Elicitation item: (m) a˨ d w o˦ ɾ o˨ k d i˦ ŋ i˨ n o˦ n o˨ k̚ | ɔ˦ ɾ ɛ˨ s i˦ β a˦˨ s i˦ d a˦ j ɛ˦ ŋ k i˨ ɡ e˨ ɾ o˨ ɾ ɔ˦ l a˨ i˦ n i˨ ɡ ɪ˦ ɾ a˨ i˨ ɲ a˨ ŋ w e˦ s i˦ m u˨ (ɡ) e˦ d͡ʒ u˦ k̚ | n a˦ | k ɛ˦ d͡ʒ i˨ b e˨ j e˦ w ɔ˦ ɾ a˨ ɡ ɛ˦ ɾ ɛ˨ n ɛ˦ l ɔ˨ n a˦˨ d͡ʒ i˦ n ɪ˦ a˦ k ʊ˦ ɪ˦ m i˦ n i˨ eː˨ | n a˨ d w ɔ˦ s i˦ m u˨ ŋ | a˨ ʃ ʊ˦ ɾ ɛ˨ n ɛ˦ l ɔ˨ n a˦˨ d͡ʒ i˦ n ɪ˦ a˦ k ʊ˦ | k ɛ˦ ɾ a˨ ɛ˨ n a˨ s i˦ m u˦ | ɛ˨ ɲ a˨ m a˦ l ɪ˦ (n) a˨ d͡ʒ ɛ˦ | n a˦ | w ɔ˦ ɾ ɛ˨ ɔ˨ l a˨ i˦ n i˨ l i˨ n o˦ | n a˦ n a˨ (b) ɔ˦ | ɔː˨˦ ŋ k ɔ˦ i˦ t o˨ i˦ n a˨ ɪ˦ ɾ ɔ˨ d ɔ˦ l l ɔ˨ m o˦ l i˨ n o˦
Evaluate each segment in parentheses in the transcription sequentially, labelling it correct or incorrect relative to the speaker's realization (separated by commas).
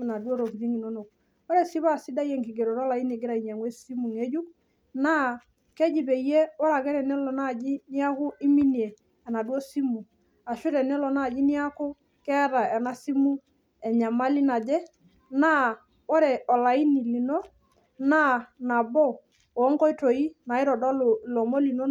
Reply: incorrect, incorrect, correct, correct